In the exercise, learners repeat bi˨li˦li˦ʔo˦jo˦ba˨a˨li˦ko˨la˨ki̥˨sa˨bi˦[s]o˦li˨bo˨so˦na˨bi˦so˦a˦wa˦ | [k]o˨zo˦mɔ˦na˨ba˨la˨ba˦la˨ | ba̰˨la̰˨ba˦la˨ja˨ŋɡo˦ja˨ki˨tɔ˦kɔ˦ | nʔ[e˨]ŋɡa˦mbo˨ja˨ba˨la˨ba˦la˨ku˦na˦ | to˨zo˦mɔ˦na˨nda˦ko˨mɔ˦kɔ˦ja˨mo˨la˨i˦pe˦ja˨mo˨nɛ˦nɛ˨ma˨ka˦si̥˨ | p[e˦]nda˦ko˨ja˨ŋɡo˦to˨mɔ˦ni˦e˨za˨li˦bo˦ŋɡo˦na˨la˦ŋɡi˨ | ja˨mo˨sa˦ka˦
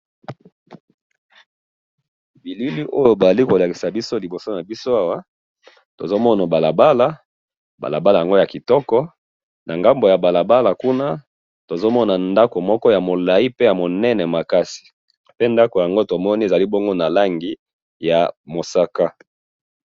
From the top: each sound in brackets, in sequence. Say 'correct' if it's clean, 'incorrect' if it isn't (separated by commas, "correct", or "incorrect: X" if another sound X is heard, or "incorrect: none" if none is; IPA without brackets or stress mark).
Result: correct, incorrect: t, incorrect: a˨, correct